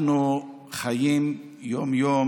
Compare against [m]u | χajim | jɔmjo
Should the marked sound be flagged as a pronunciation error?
yes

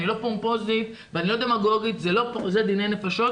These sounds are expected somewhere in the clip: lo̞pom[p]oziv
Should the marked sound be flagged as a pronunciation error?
no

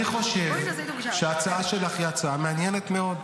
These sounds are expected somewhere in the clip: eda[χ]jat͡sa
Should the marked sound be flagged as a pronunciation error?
no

